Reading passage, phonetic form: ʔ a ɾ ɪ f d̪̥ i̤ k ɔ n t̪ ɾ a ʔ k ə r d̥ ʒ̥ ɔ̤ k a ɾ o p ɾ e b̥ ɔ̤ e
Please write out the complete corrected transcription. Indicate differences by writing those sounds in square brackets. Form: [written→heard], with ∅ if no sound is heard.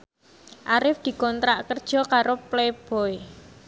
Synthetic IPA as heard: ʔ a ɾ ɪ f d̪̥ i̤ k ɔ n t̪ ɾ a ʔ k ə r d̥ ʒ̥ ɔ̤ k a ɾ o p [ɾ→l] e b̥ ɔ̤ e